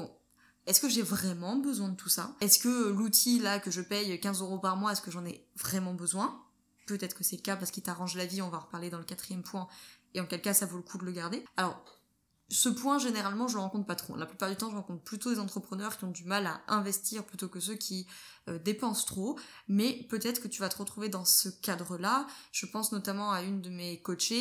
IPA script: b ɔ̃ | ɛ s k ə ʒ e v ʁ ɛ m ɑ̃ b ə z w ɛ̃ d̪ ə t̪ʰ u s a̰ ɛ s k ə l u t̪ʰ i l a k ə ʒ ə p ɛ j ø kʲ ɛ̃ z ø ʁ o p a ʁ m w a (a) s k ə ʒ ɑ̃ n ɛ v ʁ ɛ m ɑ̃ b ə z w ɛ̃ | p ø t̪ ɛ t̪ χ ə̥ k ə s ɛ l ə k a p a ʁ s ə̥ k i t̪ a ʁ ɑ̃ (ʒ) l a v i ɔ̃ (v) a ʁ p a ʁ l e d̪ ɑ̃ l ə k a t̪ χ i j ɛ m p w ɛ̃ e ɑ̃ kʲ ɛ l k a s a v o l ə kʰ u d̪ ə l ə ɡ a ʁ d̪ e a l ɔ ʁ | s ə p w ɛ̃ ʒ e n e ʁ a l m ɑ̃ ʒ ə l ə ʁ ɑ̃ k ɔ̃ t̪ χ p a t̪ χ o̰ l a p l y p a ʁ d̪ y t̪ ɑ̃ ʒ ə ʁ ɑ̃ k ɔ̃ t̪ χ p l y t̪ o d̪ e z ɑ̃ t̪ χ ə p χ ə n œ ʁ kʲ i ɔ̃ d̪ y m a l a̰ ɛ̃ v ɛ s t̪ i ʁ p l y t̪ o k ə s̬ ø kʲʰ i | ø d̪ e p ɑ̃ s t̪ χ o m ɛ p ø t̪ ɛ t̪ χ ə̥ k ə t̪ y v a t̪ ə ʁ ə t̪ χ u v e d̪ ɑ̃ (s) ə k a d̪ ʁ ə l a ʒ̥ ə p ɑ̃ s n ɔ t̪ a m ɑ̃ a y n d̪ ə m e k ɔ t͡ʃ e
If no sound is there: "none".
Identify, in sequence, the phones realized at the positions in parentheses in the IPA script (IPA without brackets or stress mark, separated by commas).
ɛ, ʒ, v, s